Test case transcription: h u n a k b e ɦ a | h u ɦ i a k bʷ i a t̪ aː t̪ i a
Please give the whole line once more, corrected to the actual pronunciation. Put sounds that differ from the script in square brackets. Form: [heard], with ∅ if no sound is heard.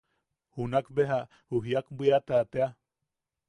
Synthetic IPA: h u n a k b e ɦ a | h u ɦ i a k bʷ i a t̪ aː t̪ [e] a

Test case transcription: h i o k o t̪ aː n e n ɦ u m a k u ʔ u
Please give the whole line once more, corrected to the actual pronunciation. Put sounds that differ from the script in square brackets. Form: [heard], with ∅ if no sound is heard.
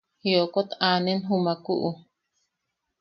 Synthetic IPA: h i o k o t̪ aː n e n ɦ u m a k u ʔ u

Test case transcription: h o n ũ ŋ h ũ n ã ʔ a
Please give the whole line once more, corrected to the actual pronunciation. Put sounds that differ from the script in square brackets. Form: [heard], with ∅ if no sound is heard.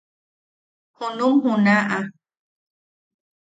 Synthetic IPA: h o n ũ [m] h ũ n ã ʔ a

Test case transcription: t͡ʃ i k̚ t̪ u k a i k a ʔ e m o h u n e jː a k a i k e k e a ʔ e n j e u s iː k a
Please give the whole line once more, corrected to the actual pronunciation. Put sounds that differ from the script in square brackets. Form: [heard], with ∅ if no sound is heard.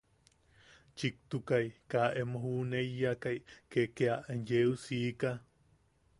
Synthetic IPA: t͡ʃ i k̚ t̪ u k a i k a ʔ e m o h u n e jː a k a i k e k e a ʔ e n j e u s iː k a

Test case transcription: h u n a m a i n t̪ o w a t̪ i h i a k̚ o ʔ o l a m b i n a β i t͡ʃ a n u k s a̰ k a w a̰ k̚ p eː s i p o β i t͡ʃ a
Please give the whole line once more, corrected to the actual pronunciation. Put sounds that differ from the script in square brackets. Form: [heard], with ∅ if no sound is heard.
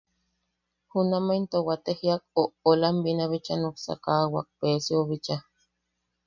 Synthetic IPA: h u n a m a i n t̪ o w a t̪ [e] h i a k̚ o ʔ o l a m b i n a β i t͡ʃ a n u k s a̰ k a w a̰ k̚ p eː s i [∅] o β i t͡ʃ a

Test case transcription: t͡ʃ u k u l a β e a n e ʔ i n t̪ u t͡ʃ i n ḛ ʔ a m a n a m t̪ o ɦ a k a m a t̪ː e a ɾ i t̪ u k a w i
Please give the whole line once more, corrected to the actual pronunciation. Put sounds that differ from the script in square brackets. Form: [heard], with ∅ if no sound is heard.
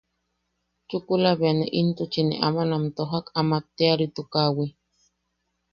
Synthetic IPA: t͡ʃ u k u l a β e a n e ʔ i n t̪ u t͡ʃ i n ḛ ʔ a m a n a m t̪ o ɦ a k a m a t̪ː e a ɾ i t̪ u k a w i

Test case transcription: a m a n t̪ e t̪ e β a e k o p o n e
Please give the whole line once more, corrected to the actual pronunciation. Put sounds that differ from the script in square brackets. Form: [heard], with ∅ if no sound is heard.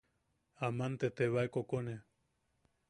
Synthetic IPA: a m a n t̪ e t̪ e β a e k o [k] o n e

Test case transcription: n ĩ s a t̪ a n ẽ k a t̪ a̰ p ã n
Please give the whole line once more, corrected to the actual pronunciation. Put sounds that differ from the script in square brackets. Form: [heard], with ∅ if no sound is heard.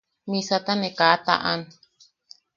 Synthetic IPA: [m] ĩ s a t̪ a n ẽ k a t̪ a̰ [ʔ] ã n

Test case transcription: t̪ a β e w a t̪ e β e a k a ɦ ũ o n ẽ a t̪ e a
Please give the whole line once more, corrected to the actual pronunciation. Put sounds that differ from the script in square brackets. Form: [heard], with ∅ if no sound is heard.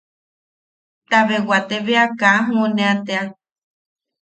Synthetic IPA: t̪ a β e w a t̪ e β e a k a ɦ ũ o n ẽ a t̪ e a

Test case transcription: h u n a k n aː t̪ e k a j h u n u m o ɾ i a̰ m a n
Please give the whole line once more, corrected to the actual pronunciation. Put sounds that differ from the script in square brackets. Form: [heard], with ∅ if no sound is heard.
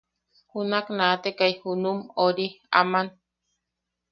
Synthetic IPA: h u n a k n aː t̪ e k a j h u n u m o ɾ i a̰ m a n

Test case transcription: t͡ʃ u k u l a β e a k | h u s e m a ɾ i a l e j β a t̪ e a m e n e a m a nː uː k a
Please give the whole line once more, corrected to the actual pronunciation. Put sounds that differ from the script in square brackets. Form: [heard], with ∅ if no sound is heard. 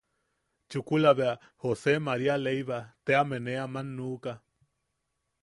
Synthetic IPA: t͡ʃ u k u l a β e a [∅] | h [o] s e m a ɾ i a l e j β a t̪ e a m e n e a m a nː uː k a

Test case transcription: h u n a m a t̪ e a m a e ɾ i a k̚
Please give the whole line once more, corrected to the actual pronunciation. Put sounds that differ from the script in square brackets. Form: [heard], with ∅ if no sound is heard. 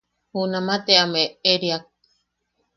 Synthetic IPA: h u n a m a t̪ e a m [e] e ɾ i a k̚

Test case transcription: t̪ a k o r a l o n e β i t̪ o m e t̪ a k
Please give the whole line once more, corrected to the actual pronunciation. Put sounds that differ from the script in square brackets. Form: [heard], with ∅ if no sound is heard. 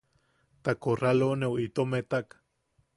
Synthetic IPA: t̪ a k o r a l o n e [w] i t̪ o m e t̪ a k

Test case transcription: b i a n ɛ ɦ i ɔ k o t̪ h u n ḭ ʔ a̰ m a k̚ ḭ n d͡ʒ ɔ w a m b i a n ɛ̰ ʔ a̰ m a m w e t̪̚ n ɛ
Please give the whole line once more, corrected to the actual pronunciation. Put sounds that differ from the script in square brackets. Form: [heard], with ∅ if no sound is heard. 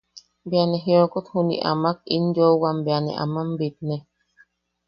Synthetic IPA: b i a n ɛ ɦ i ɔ k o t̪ h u n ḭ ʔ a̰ m a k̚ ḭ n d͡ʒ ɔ w a m b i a n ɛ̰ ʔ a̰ m a m [b] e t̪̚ n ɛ

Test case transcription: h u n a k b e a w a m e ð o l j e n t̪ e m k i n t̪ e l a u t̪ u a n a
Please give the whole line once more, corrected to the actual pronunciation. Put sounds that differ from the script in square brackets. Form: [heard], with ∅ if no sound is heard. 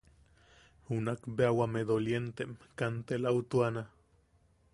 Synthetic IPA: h u n a k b e a w a m e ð o l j e n t̪ e m k [a] n t̪ e l a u t̪ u a n a

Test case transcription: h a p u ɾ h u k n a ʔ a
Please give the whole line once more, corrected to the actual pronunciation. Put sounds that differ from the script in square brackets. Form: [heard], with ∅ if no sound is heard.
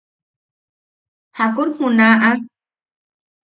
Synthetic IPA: h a [k] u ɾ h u [∅] n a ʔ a

